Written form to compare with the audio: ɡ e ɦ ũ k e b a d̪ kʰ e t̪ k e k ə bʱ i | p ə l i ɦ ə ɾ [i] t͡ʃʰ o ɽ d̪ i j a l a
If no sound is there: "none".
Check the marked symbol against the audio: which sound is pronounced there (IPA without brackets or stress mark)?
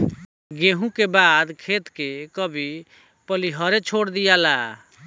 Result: e